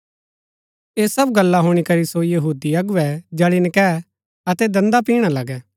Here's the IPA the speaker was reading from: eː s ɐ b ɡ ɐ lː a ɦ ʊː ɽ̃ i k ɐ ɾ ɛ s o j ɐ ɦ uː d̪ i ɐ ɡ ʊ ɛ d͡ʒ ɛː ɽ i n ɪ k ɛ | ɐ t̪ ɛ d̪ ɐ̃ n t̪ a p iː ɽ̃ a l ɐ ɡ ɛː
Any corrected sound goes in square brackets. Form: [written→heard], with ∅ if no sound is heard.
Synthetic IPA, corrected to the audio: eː s ɐ b ɡ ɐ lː a ɦ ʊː ɽ̃ i k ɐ ɾ [ɛ→i] s o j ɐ ɦ uː d̪ i ɐ ɡ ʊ ɛ d͡ʒ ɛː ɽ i n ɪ k ɛ | ɐ t̪ ɛ d̪ ɐ̃ n [t̪→d̪] a p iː ɽ̃ a l ɐ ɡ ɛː